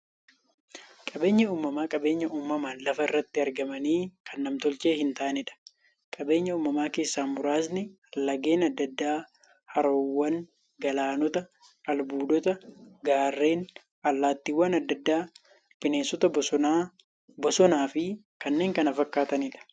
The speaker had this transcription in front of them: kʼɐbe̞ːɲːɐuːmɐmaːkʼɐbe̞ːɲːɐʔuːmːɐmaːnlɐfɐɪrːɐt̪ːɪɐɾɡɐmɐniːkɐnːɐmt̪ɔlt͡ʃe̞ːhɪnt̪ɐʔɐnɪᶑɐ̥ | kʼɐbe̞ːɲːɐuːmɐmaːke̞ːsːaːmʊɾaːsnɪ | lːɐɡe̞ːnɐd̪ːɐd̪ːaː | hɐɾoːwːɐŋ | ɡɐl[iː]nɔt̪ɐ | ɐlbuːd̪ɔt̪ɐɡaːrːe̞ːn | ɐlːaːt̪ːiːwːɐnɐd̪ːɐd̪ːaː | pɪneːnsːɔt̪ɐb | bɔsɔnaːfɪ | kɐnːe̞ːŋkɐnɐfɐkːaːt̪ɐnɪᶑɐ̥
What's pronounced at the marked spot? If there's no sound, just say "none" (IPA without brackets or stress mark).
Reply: aː